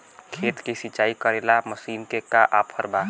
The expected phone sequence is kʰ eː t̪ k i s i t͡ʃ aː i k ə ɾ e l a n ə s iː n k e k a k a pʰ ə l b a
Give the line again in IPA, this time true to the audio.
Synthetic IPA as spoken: kʰ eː t̪ k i s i t͡ʃ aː i k ə ɾ e l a m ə s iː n k e k a ʔ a pʰ ə ɾ b a